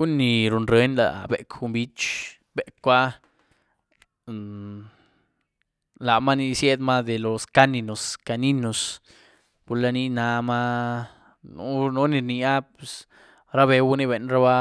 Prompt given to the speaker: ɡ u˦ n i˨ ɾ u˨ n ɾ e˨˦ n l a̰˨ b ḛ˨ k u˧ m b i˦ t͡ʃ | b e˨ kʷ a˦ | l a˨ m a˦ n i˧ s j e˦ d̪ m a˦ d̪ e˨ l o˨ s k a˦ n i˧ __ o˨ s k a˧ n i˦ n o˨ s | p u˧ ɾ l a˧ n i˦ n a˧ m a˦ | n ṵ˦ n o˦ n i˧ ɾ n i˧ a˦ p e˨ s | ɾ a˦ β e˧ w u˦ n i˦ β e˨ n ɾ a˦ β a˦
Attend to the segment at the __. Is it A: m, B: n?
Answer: B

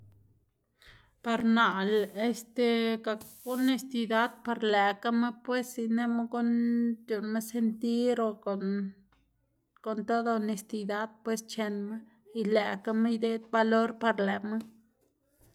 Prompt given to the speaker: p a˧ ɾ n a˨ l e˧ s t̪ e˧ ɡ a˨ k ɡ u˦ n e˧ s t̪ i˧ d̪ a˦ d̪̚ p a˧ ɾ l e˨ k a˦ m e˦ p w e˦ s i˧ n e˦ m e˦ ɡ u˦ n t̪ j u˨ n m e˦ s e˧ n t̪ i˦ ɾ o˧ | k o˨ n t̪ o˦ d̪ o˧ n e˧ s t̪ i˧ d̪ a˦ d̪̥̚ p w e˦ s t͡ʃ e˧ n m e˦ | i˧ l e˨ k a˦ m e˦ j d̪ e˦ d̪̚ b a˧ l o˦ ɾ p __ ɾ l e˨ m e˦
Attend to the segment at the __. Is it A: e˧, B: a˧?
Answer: B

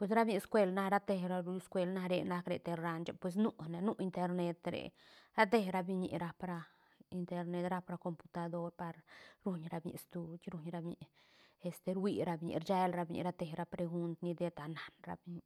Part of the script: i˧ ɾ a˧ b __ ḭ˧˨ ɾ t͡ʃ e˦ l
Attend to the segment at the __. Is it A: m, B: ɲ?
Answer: B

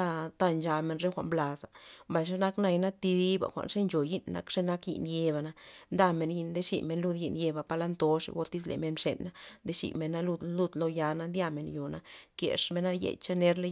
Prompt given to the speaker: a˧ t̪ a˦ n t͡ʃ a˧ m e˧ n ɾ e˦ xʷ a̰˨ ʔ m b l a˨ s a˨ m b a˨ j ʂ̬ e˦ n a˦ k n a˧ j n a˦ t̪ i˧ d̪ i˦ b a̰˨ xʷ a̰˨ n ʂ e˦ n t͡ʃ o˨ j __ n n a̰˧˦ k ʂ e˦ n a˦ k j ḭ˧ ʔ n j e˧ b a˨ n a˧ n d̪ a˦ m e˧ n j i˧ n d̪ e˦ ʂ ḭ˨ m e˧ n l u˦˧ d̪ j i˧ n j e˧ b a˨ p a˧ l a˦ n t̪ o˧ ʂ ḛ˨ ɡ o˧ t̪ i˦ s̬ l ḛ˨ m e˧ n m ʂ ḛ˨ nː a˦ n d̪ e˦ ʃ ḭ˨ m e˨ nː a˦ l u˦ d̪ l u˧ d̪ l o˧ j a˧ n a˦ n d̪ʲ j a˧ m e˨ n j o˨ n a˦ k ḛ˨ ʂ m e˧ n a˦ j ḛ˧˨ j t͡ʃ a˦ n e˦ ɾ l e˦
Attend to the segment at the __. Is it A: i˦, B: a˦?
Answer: A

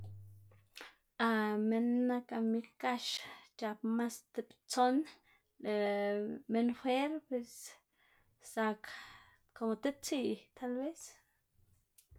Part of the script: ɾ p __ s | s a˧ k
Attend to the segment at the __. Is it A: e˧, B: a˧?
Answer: A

